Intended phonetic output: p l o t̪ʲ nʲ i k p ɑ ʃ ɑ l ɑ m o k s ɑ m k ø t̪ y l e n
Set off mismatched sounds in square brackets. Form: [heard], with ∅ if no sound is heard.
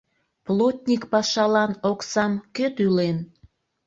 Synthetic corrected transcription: p l o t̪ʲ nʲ i k p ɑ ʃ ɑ l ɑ [n] o k s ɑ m k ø t̪ y l e n